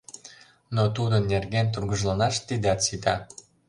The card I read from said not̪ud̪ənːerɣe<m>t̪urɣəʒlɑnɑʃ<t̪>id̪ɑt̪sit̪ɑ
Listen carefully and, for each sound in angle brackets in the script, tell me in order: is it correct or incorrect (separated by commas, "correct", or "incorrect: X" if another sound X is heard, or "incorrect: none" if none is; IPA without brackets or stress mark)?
incorrect: n, correct